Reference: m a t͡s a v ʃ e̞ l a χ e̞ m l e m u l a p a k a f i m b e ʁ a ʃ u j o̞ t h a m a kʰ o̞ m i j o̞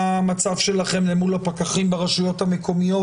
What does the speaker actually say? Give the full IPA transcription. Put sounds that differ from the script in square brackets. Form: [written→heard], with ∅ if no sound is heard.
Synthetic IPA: m a t͡s a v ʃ e̞ l a χ e̞ m l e m u l a p a k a [f→χ] i m b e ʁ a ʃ u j o̞ t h a m [a→e] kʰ o̞ m i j o̞